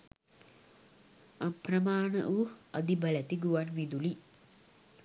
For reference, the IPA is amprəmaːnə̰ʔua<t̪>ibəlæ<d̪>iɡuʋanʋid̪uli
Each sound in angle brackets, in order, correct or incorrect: incorrect: d̪, incorrect: t̪

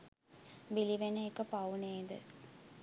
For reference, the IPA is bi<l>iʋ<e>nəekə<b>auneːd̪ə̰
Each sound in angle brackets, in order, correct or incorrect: correct, correct, incorrect: p

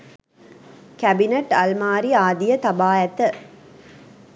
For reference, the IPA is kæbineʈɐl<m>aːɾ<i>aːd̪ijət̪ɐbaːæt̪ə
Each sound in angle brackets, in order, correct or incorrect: correct, correct

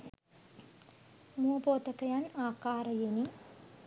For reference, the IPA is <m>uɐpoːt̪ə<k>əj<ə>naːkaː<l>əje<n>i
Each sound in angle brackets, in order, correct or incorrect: correct, correct, incorrect: a, incorrect: ɾ, correct

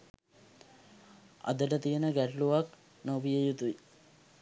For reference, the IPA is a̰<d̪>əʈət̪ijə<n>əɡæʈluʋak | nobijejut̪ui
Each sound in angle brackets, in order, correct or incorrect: correct, correct

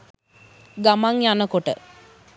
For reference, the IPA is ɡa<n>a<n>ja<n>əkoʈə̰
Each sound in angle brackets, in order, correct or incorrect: incorrect: m, incorrect: ŋ, correct

